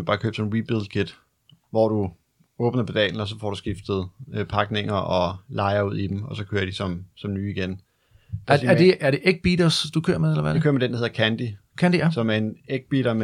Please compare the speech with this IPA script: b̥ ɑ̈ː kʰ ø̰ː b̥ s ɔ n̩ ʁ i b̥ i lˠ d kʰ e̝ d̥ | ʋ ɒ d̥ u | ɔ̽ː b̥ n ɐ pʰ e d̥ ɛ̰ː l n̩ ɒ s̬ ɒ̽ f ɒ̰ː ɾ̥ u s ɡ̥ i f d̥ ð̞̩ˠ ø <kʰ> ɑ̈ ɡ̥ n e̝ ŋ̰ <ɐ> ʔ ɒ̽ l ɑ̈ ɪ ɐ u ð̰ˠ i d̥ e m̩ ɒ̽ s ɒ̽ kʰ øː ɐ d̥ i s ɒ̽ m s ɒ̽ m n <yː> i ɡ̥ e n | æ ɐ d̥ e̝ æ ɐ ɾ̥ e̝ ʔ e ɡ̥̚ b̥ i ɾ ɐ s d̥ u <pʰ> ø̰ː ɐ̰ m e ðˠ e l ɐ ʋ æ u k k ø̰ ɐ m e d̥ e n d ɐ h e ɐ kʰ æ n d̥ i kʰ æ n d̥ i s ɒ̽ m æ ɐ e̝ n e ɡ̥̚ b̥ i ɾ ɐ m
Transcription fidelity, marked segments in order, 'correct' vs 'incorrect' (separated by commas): incorrect, correct, correct, incorrect